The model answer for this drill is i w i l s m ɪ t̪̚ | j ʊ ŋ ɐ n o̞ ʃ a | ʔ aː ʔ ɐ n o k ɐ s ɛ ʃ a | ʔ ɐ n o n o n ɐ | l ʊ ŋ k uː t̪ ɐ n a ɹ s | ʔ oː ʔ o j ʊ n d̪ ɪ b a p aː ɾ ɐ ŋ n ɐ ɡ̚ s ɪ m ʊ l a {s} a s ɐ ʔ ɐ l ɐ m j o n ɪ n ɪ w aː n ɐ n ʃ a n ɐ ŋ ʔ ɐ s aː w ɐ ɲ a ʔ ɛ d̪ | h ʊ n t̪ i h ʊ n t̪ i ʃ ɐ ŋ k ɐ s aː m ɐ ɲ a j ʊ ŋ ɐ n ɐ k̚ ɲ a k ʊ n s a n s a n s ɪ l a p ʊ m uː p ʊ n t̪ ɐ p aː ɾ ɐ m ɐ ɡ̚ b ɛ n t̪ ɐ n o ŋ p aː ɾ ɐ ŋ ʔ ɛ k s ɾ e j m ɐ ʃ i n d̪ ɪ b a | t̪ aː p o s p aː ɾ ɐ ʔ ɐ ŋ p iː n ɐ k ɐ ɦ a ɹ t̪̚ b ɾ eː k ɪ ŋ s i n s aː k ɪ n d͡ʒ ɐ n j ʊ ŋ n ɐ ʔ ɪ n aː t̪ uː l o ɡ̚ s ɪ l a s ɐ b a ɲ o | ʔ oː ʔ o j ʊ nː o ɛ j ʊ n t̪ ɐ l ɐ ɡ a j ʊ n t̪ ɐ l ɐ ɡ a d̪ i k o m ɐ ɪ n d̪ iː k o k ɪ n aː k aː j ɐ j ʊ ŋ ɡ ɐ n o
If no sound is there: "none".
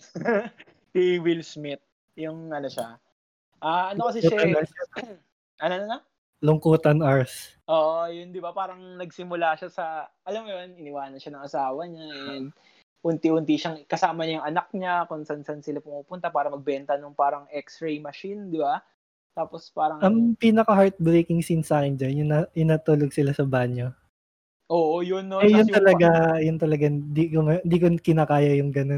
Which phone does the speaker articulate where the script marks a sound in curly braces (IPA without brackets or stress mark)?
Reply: ʃ